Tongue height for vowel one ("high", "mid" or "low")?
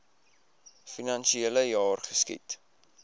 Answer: high